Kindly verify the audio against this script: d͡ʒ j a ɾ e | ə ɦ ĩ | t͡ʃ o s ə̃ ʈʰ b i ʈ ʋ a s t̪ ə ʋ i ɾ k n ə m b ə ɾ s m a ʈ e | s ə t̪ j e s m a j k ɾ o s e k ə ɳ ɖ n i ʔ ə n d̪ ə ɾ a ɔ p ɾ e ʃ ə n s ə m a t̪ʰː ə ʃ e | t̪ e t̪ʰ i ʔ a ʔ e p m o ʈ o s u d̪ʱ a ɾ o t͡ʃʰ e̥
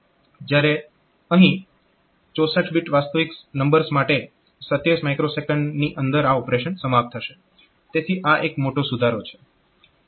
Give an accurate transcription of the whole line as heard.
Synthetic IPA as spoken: d͡ʒ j a ɾ e | ə ɦ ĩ | t͡ʃ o s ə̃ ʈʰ b i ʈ ʋ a s t̪ ə ʋ i k n ə m b ə ɾ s m a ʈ e | s ə t̪ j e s m a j k ɾ o s e k ə ɳ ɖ n i ʔ ə n d̪ ə ɾ a ɔ p ɾ e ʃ ə n s ə m a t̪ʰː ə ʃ e | t̪ e t̪ʰ i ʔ a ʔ e k m o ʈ o s u d̪ʱ a ɾ o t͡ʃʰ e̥